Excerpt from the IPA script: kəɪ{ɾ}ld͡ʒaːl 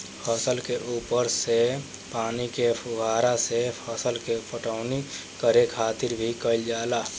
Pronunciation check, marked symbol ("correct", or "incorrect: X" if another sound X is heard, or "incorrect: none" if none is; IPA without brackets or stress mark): incorrect: none